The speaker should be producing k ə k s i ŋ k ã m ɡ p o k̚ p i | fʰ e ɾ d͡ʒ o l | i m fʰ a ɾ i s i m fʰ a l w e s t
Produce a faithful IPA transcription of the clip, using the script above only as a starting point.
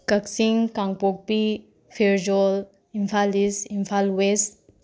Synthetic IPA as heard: k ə k s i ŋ k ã ŋ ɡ p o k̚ p i | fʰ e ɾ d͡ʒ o l | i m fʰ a l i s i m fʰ a l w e s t